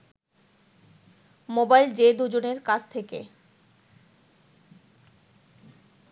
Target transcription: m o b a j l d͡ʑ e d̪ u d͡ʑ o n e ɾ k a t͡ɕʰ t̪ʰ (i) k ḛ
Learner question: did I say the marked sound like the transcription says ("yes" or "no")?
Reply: no